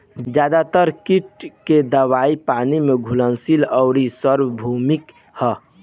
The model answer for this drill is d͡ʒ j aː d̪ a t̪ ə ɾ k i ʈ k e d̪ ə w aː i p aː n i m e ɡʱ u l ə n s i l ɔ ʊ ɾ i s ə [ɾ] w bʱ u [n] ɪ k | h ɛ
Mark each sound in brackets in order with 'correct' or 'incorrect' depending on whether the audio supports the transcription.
correct, incorrect

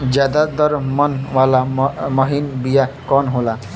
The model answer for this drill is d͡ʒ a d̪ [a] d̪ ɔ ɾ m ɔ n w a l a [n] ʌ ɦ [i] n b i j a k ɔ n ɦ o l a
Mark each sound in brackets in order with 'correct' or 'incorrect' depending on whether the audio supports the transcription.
correct, incorrect, correct

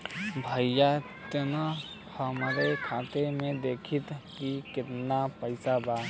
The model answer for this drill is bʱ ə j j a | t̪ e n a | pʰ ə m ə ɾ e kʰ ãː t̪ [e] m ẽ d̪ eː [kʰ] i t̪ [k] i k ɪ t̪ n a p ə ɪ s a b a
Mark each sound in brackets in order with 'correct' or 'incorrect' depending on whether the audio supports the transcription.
correct, correct, correct

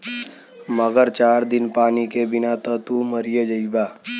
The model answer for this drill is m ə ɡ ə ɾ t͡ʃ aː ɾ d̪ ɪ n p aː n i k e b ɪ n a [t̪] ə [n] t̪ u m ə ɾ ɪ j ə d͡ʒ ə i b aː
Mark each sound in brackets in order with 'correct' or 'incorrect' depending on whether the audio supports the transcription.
correct, incorrect

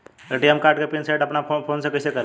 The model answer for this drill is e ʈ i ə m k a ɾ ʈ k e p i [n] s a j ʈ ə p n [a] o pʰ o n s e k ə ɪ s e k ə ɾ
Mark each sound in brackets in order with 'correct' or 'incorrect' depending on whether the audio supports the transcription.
correct, correct

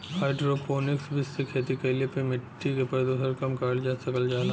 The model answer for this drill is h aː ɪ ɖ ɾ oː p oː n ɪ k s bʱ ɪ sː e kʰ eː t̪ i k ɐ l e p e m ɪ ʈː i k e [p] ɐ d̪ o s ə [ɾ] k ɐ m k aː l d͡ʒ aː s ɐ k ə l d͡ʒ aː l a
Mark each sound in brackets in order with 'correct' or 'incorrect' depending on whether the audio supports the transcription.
correct, correct

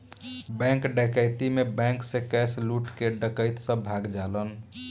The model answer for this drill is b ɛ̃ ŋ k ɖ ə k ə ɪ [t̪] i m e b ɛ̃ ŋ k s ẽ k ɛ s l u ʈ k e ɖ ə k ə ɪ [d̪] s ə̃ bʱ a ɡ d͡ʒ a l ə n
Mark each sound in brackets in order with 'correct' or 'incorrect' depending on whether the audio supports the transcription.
correct, incorrect

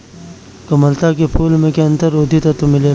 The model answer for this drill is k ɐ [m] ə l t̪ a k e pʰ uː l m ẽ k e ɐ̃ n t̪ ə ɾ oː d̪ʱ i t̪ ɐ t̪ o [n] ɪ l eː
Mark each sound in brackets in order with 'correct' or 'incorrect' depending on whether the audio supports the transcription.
correct, incorrect

